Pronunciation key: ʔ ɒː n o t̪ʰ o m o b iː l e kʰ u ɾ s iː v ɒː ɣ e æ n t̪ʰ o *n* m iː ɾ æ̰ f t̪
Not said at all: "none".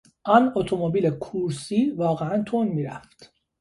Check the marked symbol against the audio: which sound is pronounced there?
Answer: n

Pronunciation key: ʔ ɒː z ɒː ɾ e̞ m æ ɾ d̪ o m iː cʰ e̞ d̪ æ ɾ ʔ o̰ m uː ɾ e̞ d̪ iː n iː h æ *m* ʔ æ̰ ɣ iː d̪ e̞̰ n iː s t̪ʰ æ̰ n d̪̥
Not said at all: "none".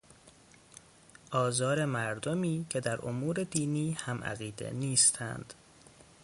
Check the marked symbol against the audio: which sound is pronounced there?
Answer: m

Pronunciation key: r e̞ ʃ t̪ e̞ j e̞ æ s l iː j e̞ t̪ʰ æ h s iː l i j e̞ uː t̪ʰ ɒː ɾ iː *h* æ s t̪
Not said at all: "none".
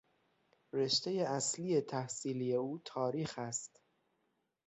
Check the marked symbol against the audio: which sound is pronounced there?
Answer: x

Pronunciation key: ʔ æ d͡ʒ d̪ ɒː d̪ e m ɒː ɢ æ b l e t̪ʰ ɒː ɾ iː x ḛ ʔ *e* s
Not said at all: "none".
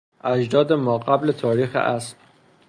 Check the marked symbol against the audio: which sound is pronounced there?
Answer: æ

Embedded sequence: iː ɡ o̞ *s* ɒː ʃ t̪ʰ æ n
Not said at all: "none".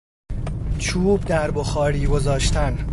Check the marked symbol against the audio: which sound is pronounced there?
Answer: z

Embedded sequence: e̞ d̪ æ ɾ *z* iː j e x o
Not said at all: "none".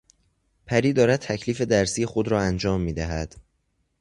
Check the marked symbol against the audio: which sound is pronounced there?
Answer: s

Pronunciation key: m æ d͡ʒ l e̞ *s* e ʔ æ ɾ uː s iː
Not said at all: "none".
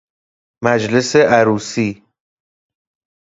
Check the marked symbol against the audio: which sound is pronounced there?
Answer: s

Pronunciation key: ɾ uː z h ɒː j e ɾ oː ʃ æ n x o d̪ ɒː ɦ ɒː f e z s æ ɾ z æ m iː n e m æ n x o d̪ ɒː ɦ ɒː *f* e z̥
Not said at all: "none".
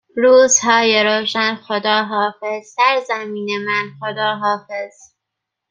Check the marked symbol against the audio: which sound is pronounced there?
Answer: f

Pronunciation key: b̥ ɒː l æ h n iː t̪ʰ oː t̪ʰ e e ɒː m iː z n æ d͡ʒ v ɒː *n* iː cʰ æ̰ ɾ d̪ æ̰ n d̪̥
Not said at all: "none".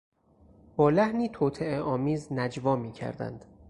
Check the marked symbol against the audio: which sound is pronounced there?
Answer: m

